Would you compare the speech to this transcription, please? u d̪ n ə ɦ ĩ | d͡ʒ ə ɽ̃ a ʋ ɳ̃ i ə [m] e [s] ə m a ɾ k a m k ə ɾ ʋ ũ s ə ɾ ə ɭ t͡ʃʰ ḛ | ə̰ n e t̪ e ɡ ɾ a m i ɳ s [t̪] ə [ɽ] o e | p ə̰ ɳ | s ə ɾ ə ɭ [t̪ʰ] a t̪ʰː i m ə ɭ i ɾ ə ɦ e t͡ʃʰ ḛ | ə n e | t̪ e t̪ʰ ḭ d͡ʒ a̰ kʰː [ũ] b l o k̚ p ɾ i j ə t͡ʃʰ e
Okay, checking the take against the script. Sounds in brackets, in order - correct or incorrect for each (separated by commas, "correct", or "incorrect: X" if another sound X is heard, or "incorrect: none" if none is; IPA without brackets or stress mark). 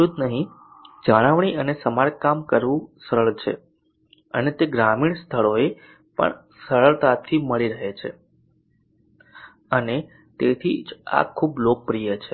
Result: incorrect: n, correct, incorrect: t̪ʰ, incorrect: ɭ, incorrect: t̪, incorrect: u